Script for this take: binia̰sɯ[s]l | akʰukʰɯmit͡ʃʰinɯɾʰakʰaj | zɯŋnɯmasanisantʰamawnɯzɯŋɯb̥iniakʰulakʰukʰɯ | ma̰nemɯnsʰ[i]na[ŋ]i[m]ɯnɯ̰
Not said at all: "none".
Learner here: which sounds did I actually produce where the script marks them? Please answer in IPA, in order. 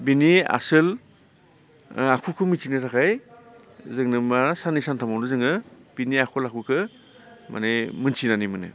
none, i, n, m

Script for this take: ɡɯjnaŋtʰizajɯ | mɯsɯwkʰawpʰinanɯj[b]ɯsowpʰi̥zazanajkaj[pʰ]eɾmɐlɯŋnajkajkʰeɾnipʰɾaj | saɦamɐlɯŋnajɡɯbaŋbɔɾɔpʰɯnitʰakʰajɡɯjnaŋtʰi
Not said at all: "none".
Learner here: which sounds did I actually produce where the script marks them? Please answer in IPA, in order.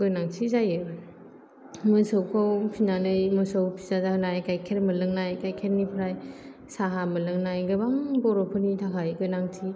m, kʰ

